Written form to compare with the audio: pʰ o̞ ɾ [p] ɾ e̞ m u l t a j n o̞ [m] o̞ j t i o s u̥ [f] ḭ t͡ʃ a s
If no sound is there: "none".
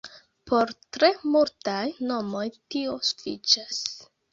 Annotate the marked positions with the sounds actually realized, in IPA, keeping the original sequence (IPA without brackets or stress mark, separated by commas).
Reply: t, m, f